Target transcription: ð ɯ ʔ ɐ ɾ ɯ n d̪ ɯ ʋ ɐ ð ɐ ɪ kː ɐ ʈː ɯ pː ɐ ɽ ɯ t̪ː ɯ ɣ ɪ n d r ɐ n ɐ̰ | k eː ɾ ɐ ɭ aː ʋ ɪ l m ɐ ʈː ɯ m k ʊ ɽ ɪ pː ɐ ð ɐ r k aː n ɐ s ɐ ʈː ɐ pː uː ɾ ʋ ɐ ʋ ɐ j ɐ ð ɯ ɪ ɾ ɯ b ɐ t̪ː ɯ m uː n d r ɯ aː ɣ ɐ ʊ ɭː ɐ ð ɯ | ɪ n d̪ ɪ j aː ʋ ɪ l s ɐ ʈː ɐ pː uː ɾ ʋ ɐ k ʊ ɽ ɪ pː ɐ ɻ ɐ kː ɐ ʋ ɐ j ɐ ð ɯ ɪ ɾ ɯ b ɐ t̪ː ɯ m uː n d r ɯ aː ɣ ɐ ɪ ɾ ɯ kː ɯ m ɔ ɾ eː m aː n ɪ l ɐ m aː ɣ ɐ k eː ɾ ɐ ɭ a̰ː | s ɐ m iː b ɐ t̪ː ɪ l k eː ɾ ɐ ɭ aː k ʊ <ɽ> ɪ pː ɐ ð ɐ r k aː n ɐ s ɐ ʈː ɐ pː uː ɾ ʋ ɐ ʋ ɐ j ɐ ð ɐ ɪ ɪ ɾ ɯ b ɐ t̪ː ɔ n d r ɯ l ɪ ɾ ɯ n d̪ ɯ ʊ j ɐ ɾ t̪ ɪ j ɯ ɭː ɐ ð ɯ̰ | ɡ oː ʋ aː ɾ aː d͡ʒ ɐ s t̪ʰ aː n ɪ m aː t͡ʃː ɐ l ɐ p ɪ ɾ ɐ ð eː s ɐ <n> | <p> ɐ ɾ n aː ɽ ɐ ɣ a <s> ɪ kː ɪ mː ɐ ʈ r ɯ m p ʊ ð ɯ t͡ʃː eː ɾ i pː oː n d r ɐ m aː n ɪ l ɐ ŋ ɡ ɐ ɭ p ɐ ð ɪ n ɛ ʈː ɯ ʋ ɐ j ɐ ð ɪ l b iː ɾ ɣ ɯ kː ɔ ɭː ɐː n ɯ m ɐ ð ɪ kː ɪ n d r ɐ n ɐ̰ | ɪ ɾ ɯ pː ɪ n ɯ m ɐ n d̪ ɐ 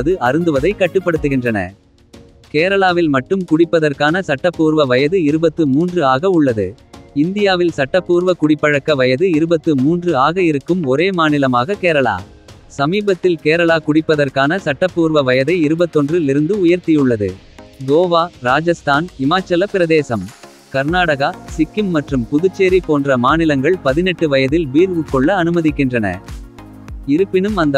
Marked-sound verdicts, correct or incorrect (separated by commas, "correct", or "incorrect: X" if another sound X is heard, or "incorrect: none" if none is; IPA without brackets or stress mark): correct, incorrect: m, incorrect: k, correct